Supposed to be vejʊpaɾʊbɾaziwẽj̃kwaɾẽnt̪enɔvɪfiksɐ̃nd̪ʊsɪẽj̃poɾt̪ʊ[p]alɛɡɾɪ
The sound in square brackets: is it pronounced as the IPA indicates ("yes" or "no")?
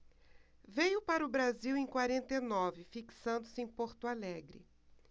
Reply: no